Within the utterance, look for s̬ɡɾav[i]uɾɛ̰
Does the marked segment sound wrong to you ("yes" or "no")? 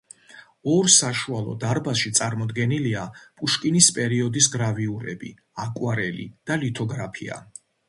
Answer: no